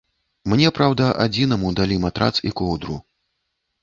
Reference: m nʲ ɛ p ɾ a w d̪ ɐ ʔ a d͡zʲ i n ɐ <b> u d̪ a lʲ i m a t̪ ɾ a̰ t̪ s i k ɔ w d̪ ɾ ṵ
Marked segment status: incorrect: m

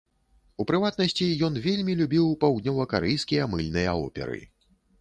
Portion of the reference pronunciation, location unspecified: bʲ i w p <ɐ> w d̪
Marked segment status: incorrect: a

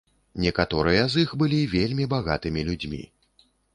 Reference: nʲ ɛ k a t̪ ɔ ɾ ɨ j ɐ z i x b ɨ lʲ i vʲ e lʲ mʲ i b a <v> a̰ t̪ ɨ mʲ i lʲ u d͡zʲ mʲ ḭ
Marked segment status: incorrect: ɣ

